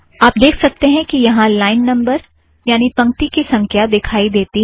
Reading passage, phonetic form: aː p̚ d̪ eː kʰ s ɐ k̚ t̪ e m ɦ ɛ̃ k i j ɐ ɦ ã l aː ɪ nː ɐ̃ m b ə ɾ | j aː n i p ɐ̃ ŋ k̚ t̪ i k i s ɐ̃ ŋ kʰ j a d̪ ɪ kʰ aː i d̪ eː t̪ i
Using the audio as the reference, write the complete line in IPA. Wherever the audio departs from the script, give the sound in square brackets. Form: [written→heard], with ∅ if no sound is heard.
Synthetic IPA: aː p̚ d̪ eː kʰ s ɐ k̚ t̪ e [m→∅] ɦ ɛ̃ k i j ɐ ɦ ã l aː ɪ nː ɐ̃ m b ə ɾ | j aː n i p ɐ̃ ŋ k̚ t̪ i k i s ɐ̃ ŋ kʰ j a d̪ ɪ kʰ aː i d̪ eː t̪ i